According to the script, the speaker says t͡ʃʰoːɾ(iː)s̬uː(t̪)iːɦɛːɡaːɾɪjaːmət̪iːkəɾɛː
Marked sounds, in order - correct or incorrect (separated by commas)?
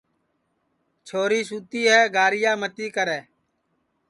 correct, correct